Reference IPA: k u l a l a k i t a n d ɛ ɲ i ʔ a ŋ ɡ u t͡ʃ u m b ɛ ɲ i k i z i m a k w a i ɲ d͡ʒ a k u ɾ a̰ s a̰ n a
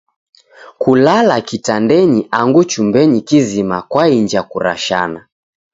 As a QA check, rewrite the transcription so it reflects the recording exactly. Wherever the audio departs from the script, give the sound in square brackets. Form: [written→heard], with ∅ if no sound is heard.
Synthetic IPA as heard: k u l a l a k i t a n d ɛ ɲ i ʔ a ŋ ɡ u t͡ʃ u m b ɛ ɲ i k i z i m a k w a i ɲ d͡ʒ a k u ɾ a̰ [s→ʃ] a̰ n a